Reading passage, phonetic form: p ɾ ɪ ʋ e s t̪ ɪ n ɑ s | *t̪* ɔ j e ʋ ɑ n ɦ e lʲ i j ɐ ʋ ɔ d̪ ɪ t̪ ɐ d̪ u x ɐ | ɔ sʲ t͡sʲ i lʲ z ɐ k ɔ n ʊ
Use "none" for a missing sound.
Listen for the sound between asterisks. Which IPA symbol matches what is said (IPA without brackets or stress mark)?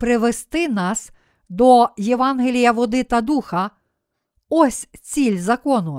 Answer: d̪